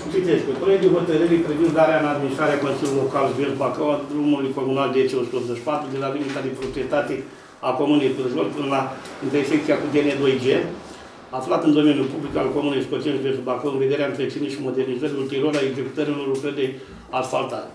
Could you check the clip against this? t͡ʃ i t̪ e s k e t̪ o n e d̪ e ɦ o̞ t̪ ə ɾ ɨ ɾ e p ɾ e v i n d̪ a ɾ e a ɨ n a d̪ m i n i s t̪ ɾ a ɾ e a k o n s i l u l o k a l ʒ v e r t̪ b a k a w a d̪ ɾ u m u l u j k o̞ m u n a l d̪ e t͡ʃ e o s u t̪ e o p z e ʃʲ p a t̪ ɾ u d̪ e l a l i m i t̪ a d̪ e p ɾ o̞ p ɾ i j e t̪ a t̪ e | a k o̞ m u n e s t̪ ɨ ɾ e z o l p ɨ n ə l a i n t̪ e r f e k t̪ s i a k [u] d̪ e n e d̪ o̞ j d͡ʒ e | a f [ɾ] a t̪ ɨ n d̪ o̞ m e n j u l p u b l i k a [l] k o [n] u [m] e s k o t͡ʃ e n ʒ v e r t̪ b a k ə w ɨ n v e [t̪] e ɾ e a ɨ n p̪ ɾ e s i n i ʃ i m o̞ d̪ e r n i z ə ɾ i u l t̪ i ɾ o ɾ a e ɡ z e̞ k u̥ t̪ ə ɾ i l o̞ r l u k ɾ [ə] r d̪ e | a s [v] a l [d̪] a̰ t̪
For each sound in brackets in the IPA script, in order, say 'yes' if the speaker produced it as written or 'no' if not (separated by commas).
yes, no, yes, no, no, no, yes, no, no